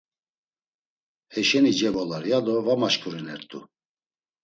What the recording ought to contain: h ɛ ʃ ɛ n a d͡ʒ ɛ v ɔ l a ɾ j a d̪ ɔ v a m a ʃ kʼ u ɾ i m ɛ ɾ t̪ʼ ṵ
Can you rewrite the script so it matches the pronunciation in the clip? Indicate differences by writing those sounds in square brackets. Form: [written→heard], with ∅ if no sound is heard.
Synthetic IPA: h ɛ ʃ ɛ n [a→i] d͡ʒ ɛ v ɔ l a ɾ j a d̪ ɔ v a m a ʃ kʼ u ɾ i [m→n] ɛ ɾ t̪ʼ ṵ